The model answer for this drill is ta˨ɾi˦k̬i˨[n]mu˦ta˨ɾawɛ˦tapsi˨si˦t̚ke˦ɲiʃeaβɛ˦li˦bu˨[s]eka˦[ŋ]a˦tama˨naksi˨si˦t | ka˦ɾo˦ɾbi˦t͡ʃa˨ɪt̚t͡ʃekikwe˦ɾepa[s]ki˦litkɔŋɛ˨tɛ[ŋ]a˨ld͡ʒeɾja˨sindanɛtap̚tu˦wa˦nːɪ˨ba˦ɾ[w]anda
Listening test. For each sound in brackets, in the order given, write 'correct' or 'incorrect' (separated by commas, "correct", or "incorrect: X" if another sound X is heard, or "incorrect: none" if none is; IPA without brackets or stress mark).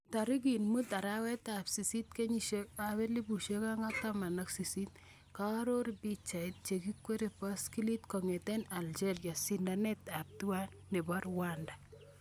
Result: correct, incorrect: ʃ, correct, correct, incorrect: n, correct